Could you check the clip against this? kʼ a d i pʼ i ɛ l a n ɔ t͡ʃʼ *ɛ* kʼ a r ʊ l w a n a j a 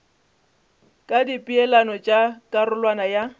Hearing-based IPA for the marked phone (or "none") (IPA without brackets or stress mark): a